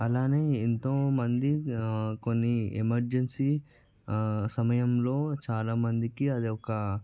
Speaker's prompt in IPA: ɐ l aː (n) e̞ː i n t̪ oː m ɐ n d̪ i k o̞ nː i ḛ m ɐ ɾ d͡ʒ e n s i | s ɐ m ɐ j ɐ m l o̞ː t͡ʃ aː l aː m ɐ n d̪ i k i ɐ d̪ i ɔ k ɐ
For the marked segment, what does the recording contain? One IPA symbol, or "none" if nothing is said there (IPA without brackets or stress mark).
n